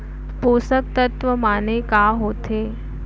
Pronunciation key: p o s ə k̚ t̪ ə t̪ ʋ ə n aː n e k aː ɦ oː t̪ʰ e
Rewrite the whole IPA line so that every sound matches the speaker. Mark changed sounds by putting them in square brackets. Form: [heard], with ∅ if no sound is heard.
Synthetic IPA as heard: p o s ə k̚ t̪ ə t̪ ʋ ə [m] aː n e k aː ɦ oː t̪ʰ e